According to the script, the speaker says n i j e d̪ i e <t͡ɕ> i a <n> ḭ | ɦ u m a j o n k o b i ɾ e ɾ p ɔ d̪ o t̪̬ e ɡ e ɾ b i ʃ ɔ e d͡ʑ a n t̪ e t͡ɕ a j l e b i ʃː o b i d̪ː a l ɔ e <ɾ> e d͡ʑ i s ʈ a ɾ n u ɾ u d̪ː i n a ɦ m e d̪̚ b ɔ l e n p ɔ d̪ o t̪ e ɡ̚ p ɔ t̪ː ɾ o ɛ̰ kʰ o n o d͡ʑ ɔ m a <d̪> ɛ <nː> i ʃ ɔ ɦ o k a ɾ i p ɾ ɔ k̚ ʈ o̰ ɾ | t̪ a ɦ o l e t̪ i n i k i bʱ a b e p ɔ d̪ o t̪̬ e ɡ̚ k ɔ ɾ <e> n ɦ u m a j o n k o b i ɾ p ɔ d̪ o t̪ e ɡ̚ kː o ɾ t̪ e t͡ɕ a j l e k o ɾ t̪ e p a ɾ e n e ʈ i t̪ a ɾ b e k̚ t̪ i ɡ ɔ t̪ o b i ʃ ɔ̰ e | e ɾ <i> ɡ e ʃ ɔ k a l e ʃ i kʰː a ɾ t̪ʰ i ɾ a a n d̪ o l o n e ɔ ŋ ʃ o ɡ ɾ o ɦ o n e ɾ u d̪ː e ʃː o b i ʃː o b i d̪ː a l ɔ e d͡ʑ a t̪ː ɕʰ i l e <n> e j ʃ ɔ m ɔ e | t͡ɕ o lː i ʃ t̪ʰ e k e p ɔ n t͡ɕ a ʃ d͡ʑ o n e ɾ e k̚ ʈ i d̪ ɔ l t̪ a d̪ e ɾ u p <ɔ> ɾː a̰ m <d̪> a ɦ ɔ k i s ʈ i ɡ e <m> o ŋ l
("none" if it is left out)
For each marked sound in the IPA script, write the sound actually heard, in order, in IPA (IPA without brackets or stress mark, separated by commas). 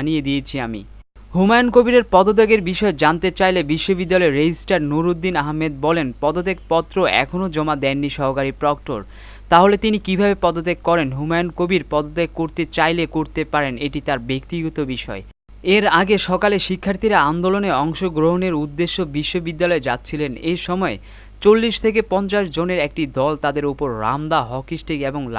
t͡ɕʰ, m, ɾ, d̪, nː, e, a, n, o, d̪, b